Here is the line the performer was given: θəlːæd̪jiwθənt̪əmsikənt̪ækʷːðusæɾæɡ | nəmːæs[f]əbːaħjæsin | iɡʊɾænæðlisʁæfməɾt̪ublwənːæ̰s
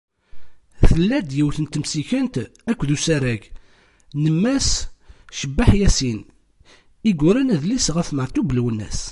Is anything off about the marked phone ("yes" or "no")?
yes